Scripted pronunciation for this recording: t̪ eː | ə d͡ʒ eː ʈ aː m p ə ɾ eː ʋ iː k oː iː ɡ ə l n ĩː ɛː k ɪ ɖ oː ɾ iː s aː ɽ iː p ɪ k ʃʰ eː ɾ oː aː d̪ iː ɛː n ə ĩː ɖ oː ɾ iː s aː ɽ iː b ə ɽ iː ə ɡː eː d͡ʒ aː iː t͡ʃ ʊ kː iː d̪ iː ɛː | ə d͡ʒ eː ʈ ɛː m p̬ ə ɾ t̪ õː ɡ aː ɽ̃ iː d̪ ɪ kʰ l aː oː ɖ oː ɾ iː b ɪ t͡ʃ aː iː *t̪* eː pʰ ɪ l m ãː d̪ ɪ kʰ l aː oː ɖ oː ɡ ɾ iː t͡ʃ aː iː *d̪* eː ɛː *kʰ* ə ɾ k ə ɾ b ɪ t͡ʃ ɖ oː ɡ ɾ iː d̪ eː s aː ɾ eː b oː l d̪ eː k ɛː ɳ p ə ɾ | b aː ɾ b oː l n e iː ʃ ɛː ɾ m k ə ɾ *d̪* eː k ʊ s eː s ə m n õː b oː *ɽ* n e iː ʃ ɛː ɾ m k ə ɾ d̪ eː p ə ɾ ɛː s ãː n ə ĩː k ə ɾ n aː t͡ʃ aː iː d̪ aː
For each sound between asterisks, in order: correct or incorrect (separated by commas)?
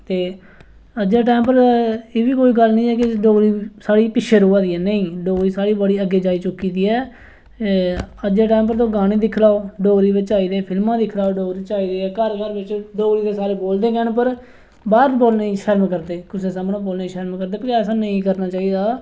incorrect, correct, incorrect, correct, incorrect